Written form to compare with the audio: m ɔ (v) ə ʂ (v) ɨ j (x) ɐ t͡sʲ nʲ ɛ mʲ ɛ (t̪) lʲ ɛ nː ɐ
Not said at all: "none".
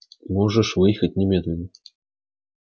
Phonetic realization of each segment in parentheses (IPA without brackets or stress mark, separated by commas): ʐ, v, x, d̪